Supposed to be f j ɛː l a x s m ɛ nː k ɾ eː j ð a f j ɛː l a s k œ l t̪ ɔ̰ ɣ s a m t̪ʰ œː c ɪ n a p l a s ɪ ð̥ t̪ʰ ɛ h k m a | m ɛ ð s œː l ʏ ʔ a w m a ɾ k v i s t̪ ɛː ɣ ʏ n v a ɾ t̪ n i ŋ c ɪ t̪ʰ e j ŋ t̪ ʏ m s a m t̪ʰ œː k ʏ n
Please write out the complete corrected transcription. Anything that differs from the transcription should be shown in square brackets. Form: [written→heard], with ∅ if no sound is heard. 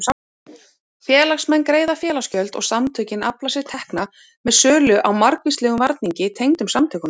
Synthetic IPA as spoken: f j ɛː l a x s m ɛ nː k ɾ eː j ð a f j ɛː l a s [k→c] œ l t̪ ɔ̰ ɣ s a m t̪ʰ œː c ɪ n a p l a s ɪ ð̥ t̪ʰ ɛ h k [m→n] a | m ɛ ð s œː l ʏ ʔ a w m a ɾ k v i s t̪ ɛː ɣ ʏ [n→m] v a ɾ t̪ n i [ŋ→ɲ] c ɪ t̪ʰ e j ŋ t̪ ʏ m s a m t̪ʰ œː k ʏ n

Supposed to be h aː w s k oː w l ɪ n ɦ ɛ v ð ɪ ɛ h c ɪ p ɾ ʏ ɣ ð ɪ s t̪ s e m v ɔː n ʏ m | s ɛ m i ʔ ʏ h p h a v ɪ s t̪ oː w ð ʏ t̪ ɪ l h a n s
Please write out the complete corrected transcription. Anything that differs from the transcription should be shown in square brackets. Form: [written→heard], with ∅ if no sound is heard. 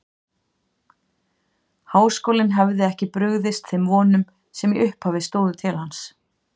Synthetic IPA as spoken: h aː w s k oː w l ɪ n ɦ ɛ v ð ɪ ɛ h c ɪ p ɾ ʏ ɣ ð ɪ s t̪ [s→θ] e m v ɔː n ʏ m | s ɛ m i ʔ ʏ h p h a v ɪ s t̪ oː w ð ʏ [t̪→t̪ʰ] ɪ l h a n s

